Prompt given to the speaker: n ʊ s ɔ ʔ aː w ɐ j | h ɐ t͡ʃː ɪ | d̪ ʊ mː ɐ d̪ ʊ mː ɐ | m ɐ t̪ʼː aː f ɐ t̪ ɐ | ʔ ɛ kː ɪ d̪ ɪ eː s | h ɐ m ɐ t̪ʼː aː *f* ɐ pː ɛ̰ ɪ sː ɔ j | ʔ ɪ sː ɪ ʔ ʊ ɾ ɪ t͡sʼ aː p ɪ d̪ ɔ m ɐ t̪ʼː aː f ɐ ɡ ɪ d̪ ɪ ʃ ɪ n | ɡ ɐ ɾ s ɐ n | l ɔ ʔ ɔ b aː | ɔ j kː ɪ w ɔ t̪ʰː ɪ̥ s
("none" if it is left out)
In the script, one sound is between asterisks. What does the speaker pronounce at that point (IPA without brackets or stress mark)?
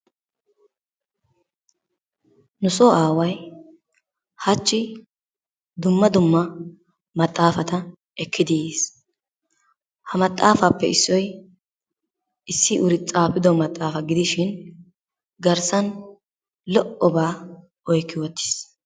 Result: f